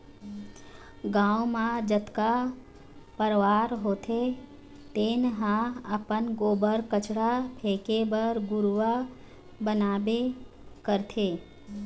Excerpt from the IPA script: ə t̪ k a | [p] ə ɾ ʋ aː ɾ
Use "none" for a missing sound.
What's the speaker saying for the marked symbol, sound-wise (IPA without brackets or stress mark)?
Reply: p